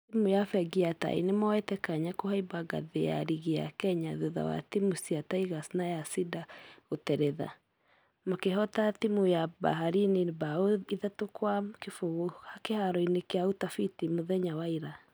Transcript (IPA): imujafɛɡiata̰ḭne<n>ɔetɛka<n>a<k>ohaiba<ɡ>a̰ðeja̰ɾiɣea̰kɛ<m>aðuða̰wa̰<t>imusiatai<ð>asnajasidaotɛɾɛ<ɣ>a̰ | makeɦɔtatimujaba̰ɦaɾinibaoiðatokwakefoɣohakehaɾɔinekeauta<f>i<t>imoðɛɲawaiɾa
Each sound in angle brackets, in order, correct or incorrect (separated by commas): incorrect, incorrect, correct, correct, incorrect, correct, incorrect, incorrect, correct, correct